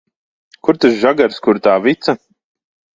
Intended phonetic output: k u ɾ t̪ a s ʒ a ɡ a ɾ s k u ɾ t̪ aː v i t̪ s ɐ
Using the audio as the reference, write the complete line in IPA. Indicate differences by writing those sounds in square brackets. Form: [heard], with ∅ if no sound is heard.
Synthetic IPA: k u ɾ t̪ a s ʒ a ɡ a ɾ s k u ɾ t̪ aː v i t̪ s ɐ